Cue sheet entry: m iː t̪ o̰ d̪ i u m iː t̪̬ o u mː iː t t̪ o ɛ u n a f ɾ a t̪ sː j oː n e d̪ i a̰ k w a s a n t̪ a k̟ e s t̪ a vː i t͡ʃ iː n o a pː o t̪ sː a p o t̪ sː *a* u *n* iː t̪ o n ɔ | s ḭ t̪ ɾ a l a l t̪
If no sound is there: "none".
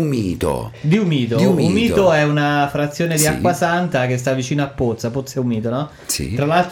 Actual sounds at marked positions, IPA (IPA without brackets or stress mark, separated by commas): ɛ, m